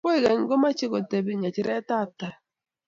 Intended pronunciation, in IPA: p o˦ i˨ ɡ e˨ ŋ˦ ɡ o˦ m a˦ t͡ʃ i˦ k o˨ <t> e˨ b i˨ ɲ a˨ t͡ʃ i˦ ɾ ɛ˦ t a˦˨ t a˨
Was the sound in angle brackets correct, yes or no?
yes